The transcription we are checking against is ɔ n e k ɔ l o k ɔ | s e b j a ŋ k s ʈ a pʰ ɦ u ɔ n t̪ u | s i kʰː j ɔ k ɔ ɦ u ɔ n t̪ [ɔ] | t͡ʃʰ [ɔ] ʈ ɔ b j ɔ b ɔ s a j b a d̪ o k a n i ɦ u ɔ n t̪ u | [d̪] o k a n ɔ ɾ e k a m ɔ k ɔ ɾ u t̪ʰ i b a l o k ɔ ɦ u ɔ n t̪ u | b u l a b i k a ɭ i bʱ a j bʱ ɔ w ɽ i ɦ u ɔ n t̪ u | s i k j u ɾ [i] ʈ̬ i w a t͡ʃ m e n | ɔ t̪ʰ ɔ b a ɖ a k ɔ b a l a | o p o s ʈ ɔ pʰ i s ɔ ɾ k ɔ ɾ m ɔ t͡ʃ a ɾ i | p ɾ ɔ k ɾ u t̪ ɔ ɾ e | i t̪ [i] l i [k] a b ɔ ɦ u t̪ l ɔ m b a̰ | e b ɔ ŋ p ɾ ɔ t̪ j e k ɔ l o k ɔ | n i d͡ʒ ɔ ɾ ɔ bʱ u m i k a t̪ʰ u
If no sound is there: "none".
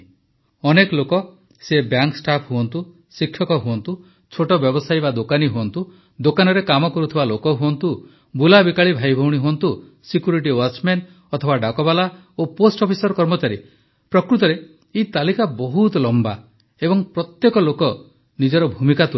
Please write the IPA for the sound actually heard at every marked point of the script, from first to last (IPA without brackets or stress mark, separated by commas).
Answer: u, o, d̪, i, a, k